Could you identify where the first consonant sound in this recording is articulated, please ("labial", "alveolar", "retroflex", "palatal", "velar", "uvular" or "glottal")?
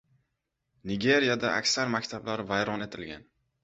alveolar